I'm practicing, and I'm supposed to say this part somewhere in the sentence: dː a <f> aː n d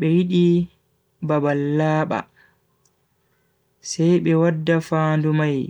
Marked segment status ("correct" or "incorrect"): correct